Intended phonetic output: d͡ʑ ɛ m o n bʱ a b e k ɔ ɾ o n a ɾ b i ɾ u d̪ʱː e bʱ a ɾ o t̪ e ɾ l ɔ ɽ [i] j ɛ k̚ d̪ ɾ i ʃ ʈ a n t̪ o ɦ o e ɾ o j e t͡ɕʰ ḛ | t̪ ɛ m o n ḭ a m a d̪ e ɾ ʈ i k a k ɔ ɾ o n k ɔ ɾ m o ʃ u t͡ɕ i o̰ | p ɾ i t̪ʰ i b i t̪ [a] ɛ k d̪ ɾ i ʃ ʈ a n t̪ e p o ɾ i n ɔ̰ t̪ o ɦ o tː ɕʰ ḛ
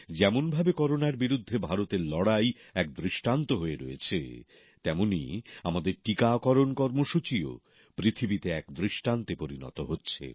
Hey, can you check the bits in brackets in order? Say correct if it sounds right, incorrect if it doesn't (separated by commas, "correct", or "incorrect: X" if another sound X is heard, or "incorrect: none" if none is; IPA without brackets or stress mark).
incorrect: a, incorrect: e